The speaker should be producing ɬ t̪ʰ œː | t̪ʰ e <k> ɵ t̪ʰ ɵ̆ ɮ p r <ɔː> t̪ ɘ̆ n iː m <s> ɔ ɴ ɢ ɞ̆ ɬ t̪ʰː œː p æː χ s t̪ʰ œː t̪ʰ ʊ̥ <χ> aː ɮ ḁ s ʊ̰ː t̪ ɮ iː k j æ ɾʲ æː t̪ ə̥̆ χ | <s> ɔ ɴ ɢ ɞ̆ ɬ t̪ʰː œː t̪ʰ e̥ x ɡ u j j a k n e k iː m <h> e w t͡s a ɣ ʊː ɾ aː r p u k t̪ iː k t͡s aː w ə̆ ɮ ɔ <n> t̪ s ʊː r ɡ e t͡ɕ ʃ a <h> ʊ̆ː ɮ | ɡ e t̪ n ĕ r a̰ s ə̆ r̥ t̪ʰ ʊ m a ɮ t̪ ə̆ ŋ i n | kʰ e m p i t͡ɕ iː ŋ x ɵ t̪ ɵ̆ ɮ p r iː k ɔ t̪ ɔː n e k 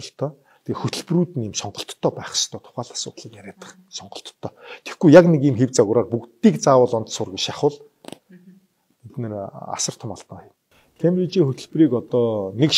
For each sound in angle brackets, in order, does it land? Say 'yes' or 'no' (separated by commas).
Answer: no, no, yes, yes, yes, no, yes, no